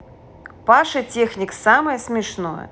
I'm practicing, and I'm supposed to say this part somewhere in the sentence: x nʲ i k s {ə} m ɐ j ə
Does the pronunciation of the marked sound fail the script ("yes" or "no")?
yes